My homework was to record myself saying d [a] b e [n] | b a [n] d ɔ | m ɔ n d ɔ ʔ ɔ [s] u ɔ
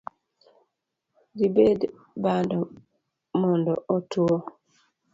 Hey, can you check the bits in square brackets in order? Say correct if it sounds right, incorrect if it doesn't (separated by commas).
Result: incorrect, incorrect, correct, incorrect